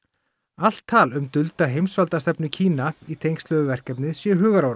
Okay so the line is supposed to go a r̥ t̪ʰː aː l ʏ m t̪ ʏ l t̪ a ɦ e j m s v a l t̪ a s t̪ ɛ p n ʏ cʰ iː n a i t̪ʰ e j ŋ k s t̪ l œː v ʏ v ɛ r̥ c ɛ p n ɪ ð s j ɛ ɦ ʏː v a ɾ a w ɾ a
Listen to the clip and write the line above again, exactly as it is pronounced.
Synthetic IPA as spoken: a l̥ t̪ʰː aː l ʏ m t̪ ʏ l t̪ a ɦ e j m s v a l t̪ a s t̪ ɛ p n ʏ cʰ iː n a i t̪ʰ e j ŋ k s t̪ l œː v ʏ v ɛ r̥ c ɛ p n ɪ ð s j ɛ ɦ ʏː ɣ a ɾ a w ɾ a